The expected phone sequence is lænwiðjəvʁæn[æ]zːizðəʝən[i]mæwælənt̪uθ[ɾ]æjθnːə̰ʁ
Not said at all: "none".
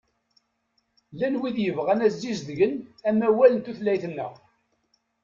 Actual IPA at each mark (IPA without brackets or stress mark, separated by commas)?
æ, æ, l